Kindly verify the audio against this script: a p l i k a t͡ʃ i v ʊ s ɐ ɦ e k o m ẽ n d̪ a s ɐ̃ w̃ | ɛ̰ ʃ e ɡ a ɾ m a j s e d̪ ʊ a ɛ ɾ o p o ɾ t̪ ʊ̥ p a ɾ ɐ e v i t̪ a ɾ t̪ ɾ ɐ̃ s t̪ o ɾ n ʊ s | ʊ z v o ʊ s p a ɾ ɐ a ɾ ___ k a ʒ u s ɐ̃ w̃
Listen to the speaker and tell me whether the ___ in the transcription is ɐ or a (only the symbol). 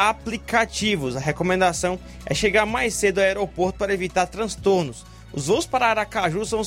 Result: a